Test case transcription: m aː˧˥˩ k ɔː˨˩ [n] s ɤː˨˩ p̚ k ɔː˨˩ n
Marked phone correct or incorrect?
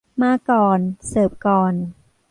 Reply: correct